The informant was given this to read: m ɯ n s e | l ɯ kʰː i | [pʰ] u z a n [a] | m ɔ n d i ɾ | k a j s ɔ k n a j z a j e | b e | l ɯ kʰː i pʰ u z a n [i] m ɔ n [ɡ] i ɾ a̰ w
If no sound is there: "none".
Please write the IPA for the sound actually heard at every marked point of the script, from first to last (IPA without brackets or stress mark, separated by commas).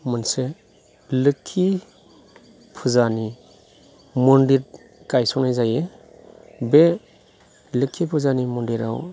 pʰ, i, i, d